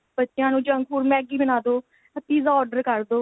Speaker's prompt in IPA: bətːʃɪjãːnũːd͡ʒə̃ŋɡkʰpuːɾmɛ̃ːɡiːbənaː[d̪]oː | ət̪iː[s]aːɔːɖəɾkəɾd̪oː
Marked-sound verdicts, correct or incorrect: correct, incorrect: z

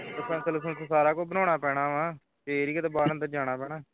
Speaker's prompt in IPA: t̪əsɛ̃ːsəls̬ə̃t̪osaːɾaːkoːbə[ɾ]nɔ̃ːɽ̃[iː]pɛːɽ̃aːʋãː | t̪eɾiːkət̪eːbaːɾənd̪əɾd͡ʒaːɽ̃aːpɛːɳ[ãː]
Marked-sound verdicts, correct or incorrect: incorrect: none, incorrect: aː, incorrect: aː

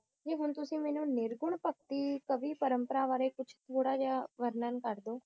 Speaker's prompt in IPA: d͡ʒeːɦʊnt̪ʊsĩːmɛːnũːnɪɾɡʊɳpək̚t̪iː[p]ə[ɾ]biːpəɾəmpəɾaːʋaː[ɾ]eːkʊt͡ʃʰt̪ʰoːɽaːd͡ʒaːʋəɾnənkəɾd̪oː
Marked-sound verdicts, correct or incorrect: incorrect: k, incorrect: none, correct

